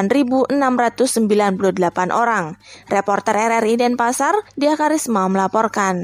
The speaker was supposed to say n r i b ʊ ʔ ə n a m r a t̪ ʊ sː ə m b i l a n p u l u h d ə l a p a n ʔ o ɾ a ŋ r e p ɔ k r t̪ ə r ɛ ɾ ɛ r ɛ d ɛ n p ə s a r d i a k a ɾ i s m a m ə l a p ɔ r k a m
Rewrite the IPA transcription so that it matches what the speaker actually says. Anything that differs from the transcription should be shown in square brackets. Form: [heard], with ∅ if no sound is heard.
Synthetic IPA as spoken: n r i b [u] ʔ ə n a m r a t̪ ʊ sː ə m b i l a n p u l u h d ə l a p a n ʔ o ɾ a ŋ r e p ɔ [∅] r t̪ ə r ɛ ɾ ɛ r [i] d ɛ n p [a] s a r d i a k a ɾ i s m a m ə l a p ɔ r k a [n]